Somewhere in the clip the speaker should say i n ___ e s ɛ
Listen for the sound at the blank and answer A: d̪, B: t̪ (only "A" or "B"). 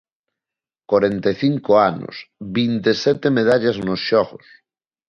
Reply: B